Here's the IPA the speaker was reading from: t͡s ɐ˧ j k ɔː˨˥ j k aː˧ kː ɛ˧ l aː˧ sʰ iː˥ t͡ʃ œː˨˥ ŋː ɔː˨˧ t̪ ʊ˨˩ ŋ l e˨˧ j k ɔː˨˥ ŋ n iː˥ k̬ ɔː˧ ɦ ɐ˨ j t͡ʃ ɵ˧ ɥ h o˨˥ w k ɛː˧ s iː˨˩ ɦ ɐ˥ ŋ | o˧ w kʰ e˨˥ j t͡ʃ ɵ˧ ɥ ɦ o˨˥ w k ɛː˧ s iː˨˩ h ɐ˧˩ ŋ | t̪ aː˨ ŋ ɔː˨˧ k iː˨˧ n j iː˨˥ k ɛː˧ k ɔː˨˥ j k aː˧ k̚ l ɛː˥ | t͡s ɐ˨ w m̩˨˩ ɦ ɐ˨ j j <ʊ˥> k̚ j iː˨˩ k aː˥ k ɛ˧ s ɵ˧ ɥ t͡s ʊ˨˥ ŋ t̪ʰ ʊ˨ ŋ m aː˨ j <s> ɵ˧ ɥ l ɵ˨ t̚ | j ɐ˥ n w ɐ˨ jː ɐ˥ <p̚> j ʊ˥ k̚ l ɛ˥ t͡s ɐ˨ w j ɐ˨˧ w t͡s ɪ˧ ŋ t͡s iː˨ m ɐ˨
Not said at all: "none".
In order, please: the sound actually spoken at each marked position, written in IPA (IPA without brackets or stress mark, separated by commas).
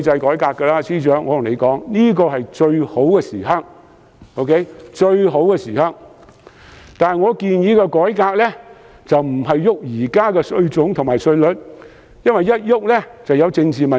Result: ʊ˥, s, t̚